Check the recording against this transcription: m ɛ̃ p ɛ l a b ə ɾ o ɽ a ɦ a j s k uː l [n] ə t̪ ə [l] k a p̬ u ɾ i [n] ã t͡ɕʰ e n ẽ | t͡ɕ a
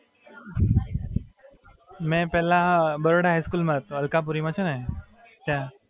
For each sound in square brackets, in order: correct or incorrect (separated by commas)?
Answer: incorrect, correct, incorrect